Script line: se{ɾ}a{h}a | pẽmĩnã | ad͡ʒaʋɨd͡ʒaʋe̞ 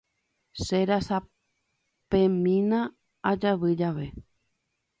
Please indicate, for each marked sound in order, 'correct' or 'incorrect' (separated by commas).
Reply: correct, incorrect